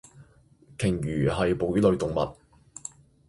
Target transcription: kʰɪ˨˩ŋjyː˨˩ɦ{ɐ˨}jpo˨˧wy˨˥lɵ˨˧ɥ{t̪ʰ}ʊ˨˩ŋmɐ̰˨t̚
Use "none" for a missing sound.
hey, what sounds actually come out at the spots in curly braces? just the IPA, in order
ɐ˨, t̪

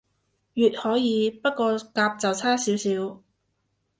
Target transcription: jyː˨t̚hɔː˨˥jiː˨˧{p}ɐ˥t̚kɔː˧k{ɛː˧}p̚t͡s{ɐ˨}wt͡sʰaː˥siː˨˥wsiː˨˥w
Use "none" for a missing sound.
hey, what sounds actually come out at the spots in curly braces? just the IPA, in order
p, aː˧, ɐ˨

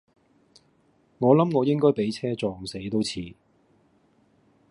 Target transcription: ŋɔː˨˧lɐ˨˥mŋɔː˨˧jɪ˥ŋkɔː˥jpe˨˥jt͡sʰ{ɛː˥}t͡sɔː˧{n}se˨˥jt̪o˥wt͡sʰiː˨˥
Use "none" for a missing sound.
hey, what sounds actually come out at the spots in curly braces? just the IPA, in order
ɛː˥, ŋ

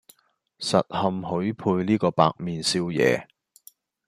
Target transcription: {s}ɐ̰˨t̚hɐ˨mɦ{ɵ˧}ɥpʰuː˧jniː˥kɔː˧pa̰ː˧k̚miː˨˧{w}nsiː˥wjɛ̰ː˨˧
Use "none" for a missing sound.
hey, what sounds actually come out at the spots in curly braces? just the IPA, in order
s, ɵ˨˥, none

